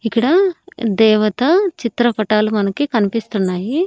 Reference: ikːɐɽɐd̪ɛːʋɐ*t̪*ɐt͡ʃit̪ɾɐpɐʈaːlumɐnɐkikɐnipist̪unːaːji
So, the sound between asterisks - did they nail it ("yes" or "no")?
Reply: yes